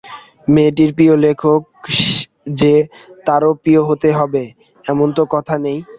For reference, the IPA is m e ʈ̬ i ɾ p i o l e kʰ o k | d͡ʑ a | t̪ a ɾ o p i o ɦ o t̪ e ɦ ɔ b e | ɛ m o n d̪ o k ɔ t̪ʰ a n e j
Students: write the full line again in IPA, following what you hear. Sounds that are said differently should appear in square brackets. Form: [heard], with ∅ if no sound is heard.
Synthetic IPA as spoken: m e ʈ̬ i ɾ p i o l e kʰ o k | d͡ʑ [e] | t̪ a ɾ o p i o ɦ o t̪ e ɦ ɔ b e | ɛ m o n [t̪] o k ɔ t̪ʰ a n e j